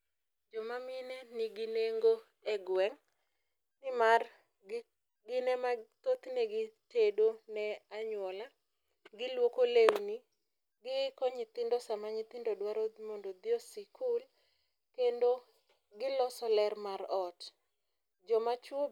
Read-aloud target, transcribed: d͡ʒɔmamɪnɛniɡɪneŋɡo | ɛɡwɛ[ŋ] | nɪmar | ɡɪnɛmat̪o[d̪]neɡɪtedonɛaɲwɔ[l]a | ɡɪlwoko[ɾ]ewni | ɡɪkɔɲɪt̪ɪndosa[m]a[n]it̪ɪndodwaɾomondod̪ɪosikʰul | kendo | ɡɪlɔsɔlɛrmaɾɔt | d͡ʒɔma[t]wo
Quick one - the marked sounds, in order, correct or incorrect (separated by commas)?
correct, incorrect, correct, incorrect, correct, incorrect, incorrect